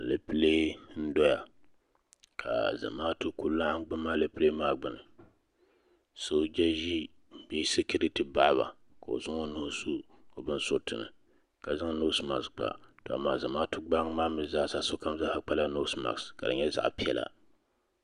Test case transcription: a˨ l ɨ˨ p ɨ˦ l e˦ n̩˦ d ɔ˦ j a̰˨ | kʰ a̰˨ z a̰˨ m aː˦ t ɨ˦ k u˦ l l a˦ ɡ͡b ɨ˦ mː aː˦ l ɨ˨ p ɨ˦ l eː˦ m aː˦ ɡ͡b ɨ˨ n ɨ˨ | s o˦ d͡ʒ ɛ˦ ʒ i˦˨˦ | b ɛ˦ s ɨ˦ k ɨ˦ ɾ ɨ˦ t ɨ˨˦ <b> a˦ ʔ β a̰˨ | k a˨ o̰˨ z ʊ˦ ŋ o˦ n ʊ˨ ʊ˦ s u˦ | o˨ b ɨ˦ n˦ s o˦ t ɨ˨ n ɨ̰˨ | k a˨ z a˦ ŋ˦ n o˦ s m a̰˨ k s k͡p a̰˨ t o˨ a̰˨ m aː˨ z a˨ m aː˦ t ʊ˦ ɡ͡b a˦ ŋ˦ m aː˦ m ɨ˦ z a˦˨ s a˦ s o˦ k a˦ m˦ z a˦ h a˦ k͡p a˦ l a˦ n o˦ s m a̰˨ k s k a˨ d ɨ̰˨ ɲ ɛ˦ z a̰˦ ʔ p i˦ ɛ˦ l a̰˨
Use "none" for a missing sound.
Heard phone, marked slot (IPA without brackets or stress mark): b